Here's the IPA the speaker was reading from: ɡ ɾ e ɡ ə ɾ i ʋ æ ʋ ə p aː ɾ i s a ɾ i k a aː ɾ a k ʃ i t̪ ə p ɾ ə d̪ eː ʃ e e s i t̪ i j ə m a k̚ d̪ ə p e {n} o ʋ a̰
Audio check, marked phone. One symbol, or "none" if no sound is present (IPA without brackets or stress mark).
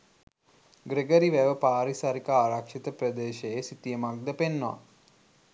nː